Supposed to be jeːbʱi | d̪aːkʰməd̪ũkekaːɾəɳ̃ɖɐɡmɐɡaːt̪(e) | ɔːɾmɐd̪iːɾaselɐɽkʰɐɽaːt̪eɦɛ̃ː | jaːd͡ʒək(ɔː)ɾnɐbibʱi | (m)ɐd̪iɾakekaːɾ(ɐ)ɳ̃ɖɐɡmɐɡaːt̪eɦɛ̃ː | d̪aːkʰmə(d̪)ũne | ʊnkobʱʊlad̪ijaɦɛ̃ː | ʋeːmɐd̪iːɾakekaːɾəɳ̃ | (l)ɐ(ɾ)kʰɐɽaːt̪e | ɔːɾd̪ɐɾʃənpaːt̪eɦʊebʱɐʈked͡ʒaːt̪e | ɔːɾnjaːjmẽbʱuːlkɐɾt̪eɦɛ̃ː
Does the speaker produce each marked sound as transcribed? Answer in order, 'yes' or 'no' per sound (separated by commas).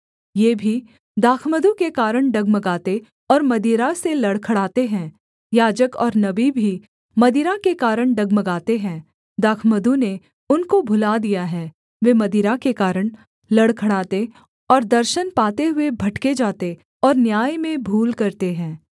yes, yes, yes, no, yes, yes, no